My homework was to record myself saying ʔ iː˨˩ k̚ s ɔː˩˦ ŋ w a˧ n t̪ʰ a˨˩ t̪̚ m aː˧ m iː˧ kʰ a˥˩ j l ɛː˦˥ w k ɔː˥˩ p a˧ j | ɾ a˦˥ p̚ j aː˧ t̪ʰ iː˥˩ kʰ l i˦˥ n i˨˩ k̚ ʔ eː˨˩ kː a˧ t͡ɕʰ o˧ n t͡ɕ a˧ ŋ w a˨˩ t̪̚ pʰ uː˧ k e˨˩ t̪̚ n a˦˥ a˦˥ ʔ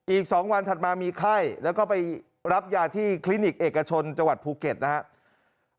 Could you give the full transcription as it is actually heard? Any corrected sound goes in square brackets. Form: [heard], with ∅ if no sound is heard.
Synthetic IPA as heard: ʔ iː˨˩ k̚ s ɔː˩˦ ŋ w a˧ n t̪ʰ a˨˩ t̪̚ m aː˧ m iː˧ kʰ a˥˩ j l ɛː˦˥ w k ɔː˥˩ p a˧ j | ɾ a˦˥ p̚ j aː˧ t̪ʰ iː˥˩ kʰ l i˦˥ n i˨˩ k̚ ʔ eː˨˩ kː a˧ t͡ɕʰ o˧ n t͡ɕ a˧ ŋ w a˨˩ t̪̚ pʰ uː˧ k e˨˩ t̪̚ n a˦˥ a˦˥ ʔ